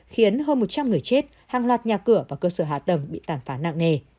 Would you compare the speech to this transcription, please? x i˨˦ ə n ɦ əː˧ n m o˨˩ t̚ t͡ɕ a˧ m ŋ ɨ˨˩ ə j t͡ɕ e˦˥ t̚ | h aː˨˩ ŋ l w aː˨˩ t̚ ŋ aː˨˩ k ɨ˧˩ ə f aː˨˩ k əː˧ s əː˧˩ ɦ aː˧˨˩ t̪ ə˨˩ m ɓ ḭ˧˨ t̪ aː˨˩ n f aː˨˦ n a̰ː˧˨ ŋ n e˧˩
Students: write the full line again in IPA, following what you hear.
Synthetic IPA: x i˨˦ ə n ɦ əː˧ n m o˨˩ t̚ t͡ɕ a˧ m ŋ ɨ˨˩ ə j t͡ɕ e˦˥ t̚ | h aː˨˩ ŋ l w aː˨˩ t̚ ɲ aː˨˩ k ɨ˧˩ ə v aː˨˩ k əː˧ s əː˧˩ ɦ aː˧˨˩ t̪ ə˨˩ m ɓ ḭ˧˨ t̪ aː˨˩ n f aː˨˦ n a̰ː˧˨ ŋ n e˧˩